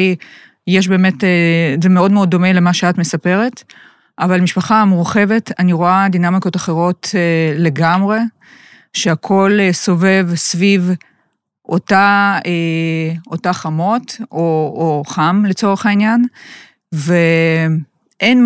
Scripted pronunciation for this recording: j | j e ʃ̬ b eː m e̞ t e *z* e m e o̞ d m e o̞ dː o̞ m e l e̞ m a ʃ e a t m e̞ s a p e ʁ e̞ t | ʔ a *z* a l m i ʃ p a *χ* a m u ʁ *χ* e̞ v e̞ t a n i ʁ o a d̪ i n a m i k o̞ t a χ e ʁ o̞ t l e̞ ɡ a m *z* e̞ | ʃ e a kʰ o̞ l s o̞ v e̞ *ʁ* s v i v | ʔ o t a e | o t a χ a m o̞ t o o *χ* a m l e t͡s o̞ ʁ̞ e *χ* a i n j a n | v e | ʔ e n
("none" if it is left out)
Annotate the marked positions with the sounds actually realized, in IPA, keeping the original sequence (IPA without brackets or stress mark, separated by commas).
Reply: z, v, χ, χ, ʁ, v, χ, χ